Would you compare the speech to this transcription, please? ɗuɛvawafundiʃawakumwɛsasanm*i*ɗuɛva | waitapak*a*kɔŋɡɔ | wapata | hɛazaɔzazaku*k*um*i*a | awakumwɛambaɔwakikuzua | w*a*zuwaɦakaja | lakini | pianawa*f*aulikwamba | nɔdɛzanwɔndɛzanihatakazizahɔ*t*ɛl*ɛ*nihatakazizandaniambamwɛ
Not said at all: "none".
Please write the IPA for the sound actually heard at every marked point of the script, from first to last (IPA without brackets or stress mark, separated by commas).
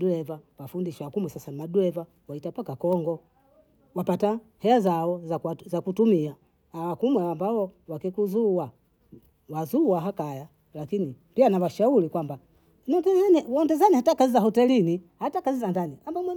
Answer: a, a, t, i, a, ʃ, t, i